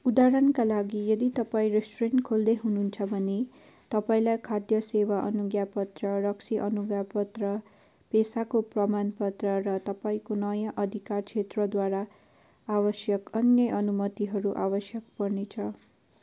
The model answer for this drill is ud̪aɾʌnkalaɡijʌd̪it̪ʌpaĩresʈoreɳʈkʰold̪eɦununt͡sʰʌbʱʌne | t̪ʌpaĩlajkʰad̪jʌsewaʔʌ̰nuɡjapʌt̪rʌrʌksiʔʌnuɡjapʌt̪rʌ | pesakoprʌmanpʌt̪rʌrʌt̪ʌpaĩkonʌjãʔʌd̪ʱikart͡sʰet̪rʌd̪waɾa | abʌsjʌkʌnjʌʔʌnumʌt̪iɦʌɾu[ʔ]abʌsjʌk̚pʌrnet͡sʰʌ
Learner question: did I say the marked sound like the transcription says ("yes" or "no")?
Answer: yes